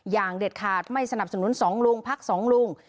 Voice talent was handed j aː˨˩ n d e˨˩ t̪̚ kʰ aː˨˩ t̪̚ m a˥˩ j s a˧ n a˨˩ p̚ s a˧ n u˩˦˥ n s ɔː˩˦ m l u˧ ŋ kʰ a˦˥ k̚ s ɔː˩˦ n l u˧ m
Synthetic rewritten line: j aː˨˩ ŋ d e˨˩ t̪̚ kʰ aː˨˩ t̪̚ m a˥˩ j s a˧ n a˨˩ p̚ s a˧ n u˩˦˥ n s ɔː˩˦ ŋ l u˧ ŋ pʰ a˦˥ k̚ s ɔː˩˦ ŋ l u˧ ŋ

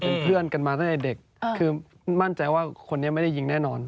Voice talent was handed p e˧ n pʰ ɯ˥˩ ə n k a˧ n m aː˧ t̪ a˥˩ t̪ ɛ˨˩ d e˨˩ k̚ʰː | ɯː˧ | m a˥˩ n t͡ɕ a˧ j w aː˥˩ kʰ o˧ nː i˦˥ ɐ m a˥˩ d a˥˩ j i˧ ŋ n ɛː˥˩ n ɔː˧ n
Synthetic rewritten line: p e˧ n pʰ ɯ˥˩ ə n k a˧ n m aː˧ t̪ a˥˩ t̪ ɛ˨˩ d e˨˩ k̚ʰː | ɯː˧ | m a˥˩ n t͡ɕ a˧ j w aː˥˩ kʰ o˧ nː i˦˥ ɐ m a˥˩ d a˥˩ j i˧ ŋ n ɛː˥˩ n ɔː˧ n

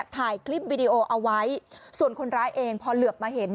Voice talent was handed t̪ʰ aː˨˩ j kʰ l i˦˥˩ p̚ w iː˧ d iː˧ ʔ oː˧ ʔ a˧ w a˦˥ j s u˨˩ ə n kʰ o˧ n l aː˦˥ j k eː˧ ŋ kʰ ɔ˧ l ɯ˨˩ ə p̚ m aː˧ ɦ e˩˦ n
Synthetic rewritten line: t̪ʰ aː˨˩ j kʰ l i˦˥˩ p̚ w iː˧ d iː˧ ʔ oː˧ ʔ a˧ w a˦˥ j s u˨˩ ə n kʰ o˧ n ɾ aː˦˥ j ʔ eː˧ ŋ pʰ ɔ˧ l ɯ˨˩ ə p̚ m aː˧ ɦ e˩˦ n

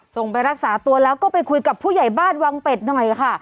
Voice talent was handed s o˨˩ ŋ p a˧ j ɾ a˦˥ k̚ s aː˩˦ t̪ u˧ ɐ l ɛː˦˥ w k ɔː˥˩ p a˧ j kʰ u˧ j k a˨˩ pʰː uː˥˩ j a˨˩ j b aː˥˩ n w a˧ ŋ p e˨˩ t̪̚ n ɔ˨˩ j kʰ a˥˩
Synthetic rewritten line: s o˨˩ ŋ p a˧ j ɾ a˦˥ k̚ s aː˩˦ t̪ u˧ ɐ l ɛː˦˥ w k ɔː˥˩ p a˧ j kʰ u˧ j k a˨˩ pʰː uː˥˩ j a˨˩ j b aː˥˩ n w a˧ ŋ p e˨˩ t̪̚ n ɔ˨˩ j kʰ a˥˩

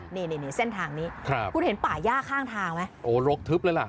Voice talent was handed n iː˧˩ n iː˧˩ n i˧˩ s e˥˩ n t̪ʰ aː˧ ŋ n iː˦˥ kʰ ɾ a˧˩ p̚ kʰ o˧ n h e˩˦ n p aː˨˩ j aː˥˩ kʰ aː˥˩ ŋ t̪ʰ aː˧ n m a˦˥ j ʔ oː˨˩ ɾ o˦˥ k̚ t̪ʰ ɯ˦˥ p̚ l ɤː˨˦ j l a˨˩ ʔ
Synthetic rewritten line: n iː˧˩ n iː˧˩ n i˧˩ s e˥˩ n t̪ʰ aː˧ ŋ n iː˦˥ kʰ ɾ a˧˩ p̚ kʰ u˧ n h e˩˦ n p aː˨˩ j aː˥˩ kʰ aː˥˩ ŋ t̪ʰ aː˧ ŋ m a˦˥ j ʔ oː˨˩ ɾ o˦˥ k̚ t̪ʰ ɯ˦˥ p̚ l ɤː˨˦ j l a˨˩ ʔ

